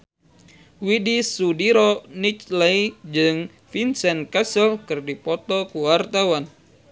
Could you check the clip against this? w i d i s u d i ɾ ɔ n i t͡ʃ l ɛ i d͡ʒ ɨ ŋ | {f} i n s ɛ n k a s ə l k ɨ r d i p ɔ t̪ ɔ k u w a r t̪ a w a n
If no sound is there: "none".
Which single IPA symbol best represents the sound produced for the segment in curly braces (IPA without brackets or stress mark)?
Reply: f